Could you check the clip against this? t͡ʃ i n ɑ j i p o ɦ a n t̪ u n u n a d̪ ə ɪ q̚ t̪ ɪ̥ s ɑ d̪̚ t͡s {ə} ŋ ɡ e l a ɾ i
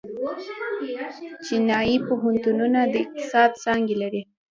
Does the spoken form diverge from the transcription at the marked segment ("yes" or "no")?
yes